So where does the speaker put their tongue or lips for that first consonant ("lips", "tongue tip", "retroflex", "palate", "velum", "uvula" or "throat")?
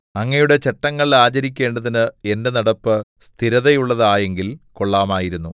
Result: velum